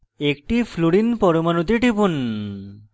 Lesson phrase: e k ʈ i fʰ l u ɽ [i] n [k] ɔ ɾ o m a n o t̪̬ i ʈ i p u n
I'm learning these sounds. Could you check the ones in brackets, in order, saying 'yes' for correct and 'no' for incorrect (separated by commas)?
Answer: yes, no